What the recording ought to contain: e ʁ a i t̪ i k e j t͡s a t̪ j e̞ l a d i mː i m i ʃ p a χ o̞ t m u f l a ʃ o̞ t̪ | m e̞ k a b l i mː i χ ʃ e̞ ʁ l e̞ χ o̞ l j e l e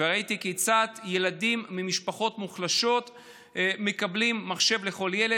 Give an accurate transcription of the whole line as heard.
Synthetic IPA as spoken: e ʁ a i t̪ i k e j t͡s a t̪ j e̞ l a d i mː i m i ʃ p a χ o̞ t m u χ l a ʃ o̞ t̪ | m e̞ k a b l i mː a χ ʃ e̞ v l e̞ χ o̞ l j e l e